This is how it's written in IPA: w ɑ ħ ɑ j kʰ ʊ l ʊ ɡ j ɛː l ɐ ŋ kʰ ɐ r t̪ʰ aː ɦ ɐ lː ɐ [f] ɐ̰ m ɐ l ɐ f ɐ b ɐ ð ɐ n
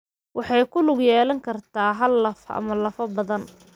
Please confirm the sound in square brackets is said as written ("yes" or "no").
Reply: yes